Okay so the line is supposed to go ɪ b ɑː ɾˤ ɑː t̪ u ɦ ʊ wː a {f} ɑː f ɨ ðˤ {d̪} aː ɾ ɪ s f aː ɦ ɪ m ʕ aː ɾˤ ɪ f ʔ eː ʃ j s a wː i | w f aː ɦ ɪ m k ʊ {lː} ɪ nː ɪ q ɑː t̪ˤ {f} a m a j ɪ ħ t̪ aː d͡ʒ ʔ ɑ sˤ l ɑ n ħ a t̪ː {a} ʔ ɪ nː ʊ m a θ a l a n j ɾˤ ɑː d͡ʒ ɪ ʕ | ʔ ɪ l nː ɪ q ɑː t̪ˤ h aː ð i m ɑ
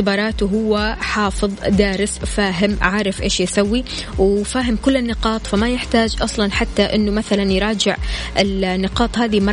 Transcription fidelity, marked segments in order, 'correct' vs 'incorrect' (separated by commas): incorrect, correct, correct, correct, correct